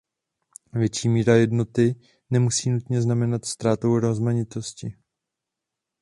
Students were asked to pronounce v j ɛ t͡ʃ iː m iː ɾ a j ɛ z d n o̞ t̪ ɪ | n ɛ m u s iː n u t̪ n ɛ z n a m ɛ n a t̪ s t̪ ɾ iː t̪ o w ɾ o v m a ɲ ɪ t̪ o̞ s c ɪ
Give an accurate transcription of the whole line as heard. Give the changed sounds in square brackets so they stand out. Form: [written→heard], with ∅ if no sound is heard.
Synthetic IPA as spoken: v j ɛ t͡ʃ iː m iː ɾ a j ɛ [z→∅] d n o̞ t̪ ɪ | n ɛ m u s iː n u t̪ [n→ɲ] ɛ z n a m ɛ n a t̪ s t̪ ɾ [iː→aː] t̪ o w ɾ o [v→z] m a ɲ ɪ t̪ o̞ s c ɪ